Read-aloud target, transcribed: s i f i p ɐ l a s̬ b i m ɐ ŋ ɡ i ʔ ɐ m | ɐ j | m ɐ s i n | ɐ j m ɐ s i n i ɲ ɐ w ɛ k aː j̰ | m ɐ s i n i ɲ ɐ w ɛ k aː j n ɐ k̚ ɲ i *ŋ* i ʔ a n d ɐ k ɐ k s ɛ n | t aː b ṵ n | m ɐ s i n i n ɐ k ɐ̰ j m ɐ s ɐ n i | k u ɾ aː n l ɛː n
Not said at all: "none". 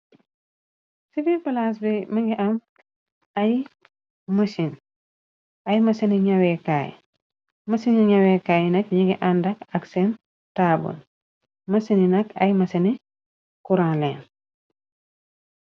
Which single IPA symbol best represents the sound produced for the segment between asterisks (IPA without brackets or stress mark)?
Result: ɡ